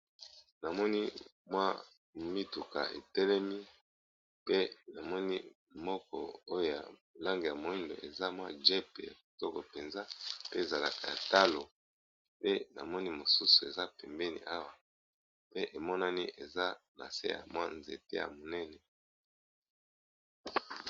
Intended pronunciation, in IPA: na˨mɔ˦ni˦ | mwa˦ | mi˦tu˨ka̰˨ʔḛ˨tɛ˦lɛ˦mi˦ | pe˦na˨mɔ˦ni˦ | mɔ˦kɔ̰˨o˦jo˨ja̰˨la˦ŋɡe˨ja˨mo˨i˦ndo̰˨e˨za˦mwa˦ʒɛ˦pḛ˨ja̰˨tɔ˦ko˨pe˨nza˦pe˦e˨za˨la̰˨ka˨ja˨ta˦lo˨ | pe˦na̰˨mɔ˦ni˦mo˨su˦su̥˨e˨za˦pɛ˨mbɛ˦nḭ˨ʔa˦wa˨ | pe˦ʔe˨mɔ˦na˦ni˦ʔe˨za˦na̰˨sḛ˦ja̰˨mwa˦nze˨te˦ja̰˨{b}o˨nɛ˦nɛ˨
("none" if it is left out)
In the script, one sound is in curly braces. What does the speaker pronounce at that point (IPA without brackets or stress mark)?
m